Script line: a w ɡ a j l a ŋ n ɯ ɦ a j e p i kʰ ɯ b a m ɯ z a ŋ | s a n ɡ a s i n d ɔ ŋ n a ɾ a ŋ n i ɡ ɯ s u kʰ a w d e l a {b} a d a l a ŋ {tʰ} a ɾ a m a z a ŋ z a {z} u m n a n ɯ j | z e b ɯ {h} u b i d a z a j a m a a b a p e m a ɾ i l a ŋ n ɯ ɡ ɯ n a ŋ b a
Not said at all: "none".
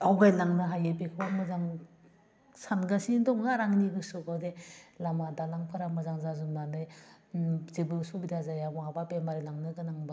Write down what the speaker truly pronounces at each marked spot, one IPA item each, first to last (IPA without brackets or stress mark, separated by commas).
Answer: m, pʰ, z, s